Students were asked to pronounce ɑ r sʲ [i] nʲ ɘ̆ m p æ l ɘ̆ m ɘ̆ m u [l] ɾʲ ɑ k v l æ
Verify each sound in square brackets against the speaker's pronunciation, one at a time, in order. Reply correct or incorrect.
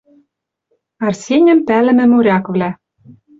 incorrect: e, incorrect: none

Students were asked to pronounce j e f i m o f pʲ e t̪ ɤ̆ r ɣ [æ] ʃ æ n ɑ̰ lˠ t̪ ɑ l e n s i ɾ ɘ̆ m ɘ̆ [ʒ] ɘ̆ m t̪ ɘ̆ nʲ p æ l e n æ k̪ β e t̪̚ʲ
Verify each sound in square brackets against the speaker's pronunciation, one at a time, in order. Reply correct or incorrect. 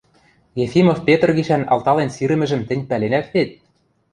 incorrect: i, correct

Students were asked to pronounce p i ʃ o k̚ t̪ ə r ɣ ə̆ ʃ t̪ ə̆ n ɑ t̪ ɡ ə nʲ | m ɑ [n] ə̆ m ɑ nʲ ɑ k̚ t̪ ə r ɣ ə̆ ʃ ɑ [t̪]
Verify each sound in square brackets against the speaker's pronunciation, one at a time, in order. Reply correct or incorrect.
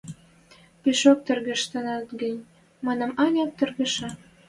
correct, incorrect: none

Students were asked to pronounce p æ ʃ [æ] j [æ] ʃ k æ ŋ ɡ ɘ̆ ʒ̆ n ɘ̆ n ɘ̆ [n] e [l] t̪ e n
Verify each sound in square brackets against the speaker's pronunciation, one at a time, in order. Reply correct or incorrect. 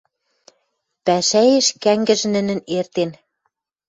correct, incorrect: e, correct, incorrect: r

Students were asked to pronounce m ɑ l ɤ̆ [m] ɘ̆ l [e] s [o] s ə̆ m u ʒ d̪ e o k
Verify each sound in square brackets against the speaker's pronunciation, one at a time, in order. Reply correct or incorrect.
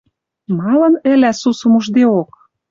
incorrect: n, incorrect: æ, incorrect: u

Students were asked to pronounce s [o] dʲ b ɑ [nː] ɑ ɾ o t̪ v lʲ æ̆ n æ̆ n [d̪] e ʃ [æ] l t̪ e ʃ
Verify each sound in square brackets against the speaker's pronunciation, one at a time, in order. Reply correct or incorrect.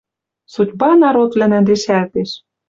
incorrect: u, incorrect: n, correct, correct

